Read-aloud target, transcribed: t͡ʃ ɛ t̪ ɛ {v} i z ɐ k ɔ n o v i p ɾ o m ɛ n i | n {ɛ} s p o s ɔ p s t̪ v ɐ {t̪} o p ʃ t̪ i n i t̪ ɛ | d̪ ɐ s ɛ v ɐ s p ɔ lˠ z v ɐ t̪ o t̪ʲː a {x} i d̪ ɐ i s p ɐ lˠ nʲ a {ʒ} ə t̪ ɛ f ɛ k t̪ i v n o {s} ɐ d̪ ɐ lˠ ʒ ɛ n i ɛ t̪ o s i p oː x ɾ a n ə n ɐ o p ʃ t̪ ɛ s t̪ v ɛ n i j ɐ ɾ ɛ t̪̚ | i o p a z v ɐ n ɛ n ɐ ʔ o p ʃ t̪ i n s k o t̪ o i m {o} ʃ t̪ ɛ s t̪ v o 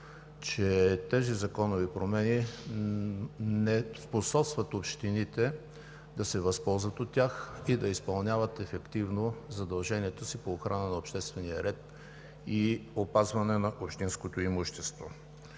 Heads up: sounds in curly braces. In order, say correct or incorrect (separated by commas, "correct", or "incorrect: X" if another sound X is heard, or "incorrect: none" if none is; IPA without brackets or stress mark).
incorrect: z, correct, correct, correct, incorrect: v, incorrect: z, incorrect: u